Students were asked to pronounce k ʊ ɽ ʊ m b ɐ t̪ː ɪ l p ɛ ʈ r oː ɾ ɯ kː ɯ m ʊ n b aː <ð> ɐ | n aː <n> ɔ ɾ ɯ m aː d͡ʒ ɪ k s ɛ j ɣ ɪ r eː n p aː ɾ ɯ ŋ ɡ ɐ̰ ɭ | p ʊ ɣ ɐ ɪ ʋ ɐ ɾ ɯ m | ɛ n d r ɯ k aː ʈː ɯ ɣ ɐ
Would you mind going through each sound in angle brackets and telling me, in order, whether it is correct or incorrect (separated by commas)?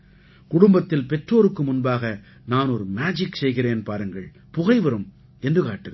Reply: incorrect, correct